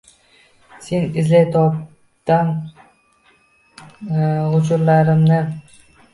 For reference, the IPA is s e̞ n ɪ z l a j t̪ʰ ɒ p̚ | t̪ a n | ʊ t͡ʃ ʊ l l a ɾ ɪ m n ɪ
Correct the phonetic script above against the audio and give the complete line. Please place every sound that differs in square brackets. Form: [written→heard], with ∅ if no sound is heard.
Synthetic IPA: s e̞ n ɪ z l a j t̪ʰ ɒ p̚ | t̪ a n | ʊ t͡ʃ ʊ [l→ɾ] l a ɾ ɪ m n ɪ